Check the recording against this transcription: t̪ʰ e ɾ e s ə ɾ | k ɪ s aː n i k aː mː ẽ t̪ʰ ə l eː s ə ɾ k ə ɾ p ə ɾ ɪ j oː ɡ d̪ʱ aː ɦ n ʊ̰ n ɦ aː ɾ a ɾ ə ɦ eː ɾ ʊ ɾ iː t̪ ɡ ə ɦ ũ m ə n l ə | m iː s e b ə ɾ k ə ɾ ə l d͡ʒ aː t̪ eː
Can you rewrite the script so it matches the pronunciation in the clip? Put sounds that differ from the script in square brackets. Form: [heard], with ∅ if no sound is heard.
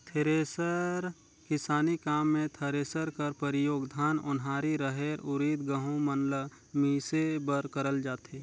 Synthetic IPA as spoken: t̪ʰ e ɾ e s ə ɾ | k ɪ s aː n i k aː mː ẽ t̪ʰ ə [ɾ] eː s ə ɾ k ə ɾ p ə ɾ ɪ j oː ɡ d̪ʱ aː [∅] n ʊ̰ n ɦ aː ɾ [i] ɾ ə ɦ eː ɾ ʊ ɾ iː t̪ ɡ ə ɦ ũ m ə n l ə | m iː s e b ə ɾ k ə ɾ ə l d͡ʒ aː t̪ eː

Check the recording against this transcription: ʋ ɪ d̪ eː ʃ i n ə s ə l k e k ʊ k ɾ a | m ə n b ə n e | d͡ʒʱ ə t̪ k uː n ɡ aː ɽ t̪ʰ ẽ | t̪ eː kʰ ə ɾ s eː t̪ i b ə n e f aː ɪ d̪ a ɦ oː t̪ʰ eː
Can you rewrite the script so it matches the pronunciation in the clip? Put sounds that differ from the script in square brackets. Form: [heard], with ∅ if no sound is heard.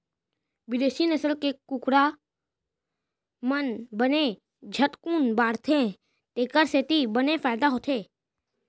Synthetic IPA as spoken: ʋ ɪ d̪ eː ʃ i n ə s ə l k e k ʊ k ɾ a | m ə n b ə n e | d͡ʒʱ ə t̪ k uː n [b] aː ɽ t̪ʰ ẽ | t̪ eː [k] ə ɾ s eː t̪ i b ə n e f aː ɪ d̪ a ɦ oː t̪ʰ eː

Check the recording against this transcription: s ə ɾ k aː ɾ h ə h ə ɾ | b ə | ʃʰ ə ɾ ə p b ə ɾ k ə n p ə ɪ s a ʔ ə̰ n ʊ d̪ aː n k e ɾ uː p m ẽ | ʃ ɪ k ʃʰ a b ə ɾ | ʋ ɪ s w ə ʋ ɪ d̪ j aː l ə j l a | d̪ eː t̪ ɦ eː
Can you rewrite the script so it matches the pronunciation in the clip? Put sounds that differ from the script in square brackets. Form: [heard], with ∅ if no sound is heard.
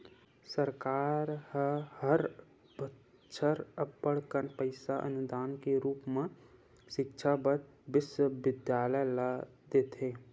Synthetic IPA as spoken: s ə ɾ k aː ɾ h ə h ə ɾ | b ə | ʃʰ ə ɾ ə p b ə [ɽ] k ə n p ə ɪ s a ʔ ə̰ n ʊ d̪ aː n k e ɾ uː p m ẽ | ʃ ɪ k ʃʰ a b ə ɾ | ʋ ɪ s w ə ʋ ɪ d̪ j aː l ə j l a | d̪ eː t̪ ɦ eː

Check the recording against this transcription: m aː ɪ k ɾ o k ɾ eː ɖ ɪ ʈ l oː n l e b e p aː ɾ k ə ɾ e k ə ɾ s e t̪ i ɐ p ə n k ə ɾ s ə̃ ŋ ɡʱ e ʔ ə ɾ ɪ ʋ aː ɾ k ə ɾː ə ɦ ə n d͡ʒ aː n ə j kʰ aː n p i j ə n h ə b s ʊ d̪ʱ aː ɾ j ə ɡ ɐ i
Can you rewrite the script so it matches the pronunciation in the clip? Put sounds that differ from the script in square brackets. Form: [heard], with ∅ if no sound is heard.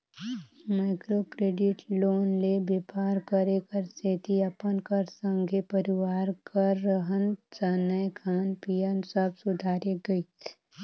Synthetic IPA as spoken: m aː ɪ k ɾ o k ɾ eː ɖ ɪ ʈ l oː n l e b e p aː ɾ k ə ɾ e k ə ɾ s e t̪ i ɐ p ə n k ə ɾ s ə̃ ŋ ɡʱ e [p] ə ɾ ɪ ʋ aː ɾ k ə ɾː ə ɦ ə n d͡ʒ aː n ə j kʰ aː n p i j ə n [s] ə b s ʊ d̪ʱ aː ɾ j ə ɡ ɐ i

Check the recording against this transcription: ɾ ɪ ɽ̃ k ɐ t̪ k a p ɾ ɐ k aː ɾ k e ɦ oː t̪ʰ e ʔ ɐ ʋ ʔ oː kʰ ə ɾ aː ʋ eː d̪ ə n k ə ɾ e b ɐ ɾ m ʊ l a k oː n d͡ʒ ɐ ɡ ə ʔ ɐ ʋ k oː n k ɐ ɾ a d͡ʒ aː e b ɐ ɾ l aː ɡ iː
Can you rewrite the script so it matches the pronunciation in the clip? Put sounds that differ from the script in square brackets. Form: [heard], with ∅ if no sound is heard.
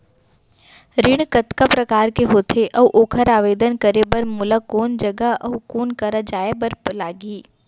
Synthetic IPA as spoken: ɾ ɪ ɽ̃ k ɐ t̪ k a p ɾ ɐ k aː ɾ k e ɦ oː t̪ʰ e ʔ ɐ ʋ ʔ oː kʰ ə ɾ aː ʋ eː d̪ ə n k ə ɾ e b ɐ ɾ m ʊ l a k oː n d͡ʒ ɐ ɡ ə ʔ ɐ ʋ k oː n k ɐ ɾ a d͡ʒ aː e b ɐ ɾ l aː ɡ iː

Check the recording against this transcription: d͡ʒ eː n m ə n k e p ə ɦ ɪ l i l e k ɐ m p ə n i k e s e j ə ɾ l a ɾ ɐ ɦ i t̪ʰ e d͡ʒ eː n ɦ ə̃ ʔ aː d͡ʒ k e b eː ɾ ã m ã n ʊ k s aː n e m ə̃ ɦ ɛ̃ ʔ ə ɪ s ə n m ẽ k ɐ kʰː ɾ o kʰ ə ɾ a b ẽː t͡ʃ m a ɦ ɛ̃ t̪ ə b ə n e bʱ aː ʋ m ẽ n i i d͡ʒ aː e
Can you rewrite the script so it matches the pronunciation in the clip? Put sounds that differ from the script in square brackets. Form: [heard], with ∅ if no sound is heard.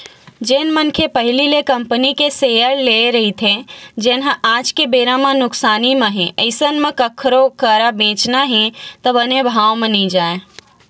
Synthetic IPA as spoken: d͡ʒ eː n m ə n [kʰ] e p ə ɦ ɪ l i l e k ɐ m p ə n i k e s e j ə ɾ l [e] ɾ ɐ ɦ i t̪ʰ e d͡ʒ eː n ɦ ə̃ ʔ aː d͡ʒ k e b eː ɾ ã m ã n ʊ k s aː n [i] m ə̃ ɦ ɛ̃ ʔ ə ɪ s ə n m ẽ k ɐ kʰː ɾ o [k] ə ɾ a b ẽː t͡ʃ [n] a ɦ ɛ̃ t̪ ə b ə n e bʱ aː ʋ m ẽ n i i d͡ʒ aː e

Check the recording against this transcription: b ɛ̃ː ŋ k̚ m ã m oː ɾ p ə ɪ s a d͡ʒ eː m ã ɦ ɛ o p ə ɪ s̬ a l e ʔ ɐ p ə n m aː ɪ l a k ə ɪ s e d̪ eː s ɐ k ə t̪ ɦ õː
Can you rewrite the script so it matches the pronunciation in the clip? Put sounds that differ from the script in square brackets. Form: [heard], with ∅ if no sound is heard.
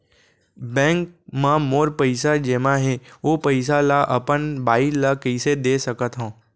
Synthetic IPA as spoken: b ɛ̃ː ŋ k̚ m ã m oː ɾ p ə ɪ s a d͡ʒ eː m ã ɦ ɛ o p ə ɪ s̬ a l [a] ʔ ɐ p ə n [b] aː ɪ l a k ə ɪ s e d̪ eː s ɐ k ə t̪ ɦ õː

